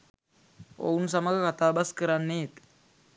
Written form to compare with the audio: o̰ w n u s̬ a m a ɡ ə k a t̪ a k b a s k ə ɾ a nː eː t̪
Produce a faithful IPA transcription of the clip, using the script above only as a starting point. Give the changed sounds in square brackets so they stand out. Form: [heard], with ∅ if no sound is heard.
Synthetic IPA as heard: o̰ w n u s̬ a m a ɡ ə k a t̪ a [∅] b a s k ə ɾ a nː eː t̪